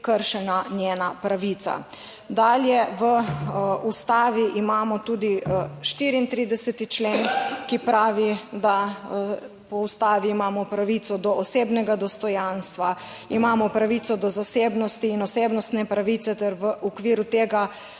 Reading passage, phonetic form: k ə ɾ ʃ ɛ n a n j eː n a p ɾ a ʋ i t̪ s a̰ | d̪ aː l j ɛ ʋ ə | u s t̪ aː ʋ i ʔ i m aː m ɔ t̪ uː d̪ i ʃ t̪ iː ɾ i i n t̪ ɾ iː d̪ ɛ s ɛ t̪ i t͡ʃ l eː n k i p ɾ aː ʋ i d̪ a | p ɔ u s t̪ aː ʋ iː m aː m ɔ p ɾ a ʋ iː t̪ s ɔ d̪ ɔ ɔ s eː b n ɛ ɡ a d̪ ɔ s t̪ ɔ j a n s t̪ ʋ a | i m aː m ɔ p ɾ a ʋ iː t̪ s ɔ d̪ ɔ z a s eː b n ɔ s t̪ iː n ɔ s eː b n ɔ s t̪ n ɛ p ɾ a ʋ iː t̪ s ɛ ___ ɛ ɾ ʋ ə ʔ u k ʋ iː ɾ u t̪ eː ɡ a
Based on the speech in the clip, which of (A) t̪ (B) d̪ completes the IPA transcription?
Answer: A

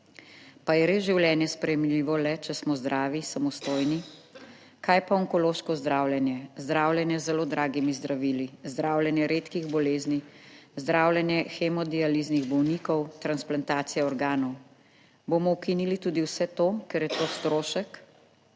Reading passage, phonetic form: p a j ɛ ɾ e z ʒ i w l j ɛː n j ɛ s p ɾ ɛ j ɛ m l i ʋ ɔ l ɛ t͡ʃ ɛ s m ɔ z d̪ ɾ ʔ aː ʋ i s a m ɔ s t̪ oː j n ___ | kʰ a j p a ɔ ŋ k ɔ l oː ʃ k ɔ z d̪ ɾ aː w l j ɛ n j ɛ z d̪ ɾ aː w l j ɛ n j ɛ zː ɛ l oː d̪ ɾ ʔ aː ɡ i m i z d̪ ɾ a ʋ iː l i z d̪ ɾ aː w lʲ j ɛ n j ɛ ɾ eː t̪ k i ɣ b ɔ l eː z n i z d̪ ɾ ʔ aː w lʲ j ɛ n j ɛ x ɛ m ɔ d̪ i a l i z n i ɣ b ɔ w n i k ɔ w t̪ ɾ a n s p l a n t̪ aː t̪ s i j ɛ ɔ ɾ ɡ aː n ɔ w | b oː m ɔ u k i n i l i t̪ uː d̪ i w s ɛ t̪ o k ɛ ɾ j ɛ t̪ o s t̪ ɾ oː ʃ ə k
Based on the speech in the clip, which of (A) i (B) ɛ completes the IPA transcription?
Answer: A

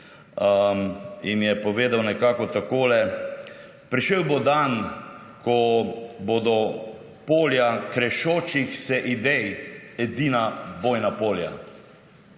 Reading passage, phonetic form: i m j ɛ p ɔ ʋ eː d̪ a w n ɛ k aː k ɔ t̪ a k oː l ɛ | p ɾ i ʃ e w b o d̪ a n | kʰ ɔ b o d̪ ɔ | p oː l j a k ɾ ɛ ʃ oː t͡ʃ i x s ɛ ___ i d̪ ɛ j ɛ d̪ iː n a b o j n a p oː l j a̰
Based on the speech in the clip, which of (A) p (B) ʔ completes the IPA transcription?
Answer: B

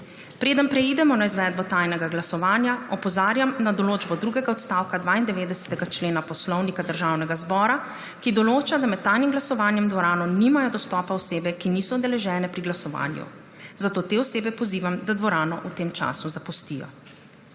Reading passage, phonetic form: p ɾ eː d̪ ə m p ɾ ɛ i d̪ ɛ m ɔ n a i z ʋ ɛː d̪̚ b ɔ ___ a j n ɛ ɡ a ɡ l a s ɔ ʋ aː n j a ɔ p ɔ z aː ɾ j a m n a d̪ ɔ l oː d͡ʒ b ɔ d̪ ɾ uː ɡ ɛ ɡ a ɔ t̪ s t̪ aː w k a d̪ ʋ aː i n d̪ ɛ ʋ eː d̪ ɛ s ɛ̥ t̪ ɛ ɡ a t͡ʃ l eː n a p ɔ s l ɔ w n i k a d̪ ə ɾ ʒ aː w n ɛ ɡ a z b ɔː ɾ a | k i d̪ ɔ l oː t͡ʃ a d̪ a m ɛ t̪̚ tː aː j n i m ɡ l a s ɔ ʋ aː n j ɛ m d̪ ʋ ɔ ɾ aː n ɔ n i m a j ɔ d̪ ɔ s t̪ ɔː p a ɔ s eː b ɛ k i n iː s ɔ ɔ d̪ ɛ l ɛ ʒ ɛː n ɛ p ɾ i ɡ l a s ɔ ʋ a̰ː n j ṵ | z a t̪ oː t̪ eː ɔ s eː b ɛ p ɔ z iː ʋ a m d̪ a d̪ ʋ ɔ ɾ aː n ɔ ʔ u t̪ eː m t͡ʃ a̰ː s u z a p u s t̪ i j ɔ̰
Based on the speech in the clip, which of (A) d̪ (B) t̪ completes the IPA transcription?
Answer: B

